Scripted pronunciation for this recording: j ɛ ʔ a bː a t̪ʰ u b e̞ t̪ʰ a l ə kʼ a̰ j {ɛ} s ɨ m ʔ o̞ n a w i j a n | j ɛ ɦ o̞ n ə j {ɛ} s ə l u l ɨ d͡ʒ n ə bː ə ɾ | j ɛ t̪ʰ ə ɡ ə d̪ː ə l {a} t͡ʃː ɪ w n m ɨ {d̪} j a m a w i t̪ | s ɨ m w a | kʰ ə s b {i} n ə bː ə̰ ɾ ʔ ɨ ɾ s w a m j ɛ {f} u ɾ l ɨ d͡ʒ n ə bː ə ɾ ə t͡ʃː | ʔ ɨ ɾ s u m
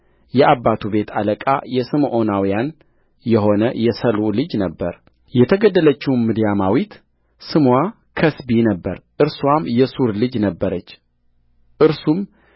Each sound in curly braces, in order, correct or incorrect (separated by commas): correct, correct, incorrect, correct, correct, incorrect